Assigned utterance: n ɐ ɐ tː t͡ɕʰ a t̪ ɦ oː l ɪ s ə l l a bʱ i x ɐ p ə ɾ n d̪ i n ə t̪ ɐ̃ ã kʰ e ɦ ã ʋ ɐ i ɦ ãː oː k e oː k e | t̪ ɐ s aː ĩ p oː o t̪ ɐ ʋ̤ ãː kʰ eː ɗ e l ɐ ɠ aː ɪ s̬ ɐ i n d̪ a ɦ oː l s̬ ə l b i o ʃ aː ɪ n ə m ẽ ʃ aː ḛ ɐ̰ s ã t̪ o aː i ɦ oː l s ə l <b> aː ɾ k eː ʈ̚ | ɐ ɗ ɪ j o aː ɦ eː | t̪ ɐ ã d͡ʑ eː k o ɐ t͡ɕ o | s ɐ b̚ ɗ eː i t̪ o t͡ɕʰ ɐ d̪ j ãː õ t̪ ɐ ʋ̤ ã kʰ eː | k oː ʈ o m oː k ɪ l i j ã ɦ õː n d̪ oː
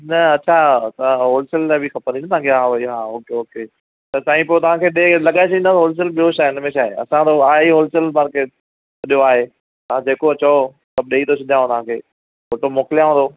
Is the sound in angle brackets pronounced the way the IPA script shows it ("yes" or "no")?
no